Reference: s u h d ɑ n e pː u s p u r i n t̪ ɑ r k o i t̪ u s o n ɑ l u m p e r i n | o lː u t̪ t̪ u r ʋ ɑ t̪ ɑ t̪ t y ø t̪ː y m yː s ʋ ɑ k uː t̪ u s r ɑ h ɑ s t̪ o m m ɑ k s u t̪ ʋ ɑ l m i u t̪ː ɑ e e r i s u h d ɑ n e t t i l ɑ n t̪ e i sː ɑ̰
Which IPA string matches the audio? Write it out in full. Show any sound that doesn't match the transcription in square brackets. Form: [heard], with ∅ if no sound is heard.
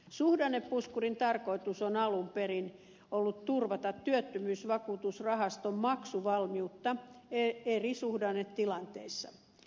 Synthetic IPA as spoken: s u h d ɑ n e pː u s [k] u r i n t̪ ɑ r k o i t̪ u s o n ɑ l u m p e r i n | o lː u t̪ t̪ u r ʋ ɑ t̪ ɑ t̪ t y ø t̪ː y m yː s ʋ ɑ k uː t̪ u s r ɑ h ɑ s t̪ o m m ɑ k s u [∅] ʋ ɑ l m i u t̪ː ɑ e e r i s u h d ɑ n e t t i l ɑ n t̪ e i sː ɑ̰